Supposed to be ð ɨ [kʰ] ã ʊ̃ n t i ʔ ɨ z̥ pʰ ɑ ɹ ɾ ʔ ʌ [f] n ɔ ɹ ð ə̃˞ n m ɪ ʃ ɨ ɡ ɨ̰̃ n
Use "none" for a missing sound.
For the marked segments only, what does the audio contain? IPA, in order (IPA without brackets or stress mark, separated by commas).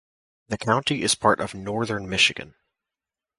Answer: kʰ, v